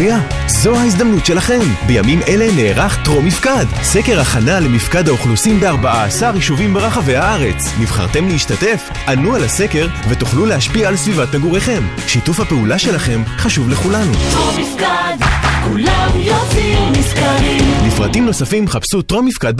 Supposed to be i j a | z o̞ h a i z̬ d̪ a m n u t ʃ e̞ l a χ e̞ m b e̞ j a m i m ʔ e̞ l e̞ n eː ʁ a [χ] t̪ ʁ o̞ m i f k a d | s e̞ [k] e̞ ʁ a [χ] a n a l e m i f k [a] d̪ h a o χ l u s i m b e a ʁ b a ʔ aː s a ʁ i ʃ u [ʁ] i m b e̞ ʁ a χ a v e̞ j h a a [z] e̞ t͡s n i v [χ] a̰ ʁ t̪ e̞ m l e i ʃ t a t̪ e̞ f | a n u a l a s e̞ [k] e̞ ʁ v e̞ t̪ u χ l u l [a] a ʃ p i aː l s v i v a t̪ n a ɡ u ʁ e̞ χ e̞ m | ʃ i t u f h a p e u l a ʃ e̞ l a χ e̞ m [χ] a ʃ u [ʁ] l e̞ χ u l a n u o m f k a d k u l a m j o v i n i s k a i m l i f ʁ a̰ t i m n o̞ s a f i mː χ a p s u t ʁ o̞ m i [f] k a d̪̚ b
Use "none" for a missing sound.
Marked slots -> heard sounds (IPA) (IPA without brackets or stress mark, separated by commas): χ, k, χ, a, v, ʁ, χ, k, e, χ, v, f